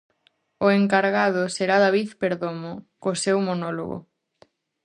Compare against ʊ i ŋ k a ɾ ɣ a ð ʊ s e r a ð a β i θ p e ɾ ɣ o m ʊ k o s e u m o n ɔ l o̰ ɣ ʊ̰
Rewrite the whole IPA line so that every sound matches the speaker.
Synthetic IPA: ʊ e ŋ k a ɾ ɣ a ð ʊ s e ɾ a ð a β i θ p e ɾ ð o m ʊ k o s e w m o n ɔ l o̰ ɣ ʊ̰